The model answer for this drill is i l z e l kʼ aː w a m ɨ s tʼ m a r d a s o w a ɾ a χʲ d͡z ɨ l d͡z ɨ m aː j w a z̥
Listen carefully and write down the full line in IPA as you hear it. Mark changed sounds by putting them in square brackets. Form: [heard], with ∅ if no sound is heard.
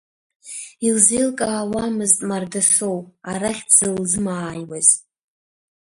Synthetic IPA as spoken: i l z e l kʼ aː w a m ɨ [z] tʼ m a r d a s o w a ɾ a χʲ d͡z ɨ l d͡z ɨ m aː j w a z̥